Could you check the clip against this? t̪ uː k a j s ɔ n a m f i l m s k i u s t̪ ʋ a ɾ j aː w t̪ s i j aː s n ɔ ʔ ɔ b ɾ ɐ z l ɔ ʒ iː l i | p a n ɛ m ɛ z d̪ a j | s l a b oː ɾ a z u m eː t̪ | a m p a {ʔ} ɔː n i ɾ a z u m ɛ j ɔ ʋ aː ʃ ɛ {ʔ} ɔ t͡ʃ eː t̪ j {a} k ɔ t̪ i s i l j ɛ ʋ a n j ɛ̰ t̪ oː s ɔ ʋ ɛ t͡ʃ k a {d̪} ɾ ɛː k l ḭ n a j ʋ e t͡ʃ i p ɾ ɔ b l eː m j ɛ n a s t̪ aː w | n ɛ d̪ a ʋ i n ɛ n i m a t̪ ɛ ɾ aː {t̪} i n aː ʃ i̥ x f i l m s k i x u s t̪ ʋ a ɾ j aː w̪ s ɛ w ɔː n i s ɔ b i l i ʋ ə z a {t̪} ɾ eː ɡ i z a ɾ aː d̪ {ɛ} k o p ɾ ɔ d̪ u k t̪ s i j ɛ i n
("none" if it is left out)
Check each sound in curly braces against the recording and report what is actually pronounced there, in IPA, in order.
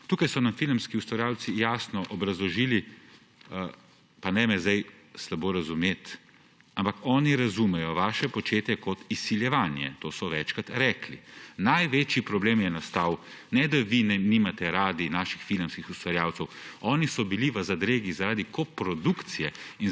k, p, ɛ, t̪, d̪, d̪, i

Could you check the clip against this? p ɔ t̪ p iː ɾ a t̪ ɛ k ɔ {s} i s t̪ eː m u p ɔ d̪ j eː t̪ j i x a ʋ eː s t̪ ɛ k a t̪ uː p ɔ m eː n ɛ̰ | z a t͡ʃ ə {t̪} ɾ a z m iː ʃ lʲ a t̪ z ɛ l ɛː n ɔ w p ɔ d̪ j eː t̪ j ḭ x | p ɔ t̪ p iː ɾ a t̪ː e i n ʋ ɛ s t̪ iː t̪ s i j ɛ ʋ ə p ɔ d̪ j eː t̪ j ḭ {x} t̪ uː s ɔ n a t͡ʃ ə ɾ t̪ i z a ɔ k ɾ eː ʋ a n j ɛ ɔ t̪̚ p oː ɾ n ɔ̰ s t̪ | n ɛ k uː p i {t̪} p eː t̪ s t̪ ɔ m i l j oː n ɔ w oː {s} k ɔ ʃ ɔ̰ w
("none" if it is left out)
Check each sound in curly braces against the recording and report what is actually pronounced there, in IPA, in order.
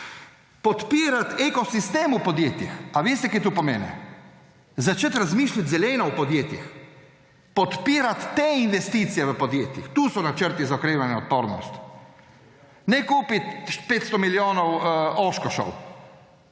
s, t̪, x, t̪, ʃ

